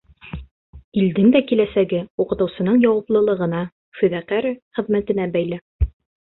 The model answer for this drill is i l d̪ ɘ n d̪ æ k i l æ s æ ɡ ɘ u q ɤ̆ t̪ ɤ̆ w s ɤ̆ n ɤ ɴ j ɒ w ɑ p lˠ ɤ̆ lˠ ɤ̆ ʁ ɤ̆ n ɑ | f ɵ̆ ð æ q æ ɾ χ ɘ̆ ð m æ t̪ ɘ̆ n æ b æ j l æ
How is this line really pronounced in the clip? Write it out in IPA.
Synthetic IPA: i l d̪ ɘ n d̪ æ k i l æ s æ ɡ ɘ u q ɤ̆ t̪ ɤ̆ w s ɤ̆ n ɤ ɴ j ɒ w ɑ p lˠ ɤ̆ lˠ ɤ̆ ʁ ɤ̆ n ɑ | f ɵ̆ ð æ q æ ɾ χ ɘ̆ ð m æ t̪ ɘ̆ n æ b æ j l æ